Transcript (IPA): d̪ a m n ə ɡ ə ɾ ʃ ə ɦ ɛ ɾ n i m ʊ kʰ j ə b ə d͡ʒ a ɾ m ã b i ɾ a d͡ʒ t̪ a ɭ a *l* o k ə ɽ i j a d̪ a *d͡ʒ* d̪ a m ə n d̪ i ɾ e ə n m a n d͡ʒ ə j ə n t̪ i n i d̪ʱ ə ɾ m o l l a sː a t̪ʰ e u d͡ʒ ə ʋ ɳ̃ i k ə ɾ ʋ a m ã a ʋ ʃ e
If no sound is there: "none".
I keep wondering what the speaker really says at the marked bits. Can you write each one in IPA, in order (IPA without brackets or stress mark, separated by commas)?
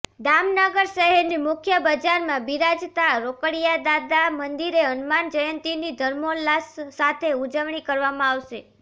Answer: ɾ, none